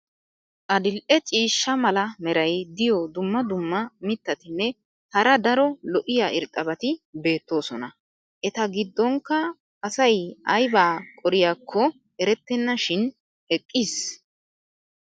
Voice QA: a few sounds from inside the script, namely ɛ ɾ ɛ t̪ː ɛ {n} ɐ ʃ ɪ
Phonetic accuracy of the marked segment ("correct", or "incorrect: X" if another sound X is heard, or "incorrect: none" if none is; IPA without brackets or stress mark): incorrect: nː